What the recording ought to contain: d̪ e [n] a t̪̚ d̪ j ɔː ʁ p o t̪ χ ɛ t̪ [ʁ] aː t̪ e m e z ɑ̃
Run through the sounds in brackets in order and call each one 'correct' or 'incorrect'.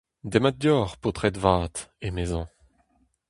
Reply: incorrect: m, incorrect: v

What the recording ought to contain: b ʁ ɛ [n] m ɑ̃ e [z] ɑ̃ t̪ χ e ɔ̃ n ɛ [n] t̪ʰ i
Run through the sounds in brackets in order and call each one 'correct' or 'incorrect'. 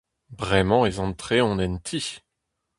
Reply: incorrect: none, correct, correct

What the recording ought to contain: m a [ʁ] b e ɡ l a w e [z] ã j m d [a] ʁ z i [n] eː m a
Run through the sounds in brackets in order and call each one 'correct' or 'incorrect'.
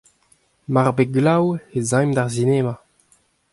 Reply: correct, correct, correct, correct

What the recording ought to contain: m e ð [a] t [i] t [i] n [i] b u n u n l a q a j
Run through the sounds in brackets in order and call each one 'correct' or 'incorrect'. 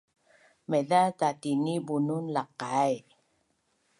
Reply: correct, incorrect: a, correct, correct

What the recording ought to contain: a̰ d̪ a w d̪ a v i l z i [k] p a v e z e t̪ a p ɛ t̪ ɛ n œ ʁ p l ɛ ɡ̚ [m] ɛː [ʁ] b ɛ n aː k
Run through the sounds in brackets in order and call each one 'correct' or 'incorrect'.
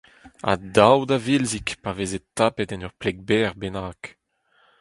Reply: correct, incorrect: b, correct

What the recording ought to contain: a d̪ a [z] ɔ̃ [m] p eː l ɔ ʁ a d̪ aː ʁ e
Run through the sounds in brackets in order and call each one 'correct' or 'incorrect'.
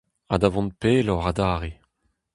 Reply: incorrect: v, incorrect: n

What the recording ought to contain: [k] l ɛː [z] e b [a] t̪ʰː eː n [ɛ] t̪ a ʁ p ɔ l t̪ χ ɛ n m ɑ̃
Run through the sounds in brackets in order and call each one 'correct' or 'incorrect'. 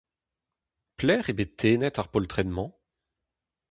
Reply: incorrect: p, incorrect: ʁ, incorrect: e, correct

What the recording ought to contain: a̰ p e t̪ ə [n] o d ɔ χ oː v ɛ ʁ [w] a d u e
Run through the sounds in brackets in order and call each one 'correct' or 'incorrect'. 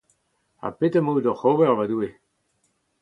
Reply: incorrect: m, incorrect: v

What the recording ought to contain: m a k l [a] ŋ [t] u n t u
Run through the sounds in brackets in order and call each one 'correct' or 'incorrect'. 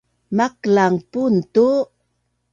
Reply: correct, incorrect: p

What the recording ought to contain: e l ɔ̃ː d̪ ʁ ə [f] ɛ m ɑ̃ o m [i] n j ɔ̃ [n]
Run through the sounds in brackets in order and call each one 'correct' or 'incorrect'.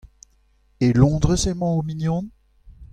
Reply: incorrect: s, correct, correct

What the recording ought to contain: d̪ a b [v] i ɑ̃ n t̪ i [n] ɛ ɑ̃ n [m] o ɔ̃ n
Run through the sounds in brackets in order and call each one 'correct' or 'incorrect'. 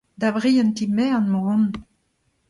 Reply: incorrect: ʁ, incorrect: m, correct

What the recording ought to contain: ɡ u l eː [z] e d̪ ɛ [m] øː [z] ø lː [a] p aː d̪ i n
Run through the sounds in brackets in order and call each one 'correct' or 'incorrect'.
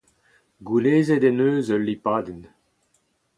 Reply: correct, incorrect: n, correct, incorrect: i

